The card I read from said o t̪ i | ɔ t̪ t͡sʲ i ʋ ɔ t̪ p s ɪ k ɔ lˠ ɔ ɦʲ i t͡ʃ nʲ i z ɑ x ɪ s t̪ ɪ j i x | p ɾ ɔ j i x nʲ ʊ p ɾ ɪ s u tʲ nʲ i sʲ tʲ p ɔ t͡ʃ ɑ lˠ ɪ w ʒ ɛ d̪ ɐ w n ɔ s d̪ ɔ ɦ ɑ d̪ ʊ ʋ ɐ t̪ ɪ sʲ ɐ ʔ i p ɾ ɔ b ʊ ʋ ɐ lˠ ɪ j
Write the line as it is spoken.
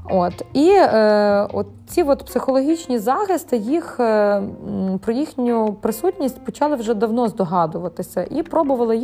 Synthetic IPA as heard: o t̪ i | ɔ t̪ t͡sʲ i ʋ ɔ t̪ p s ɪ x ɔ lˠ ɔ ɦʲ i t͡ʃ nʲ i z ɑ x ɪ s t̪ ɪ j i x | p ɾ ɔ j i x nʲ ʊ p ɾ ɪ s u tʲ nʲ i sʲ tʲ p ɔ t͡ʃ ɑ lˠ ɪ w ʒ ɛ d̪ ɐ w n ɔ z d̪ ɔ ɦ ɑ d̪ ʊ ʋ ɐ t̪ ɪ sʲ ɐ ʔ i p ɾ ɔ b ʊ ʋ ɐ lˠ ɪ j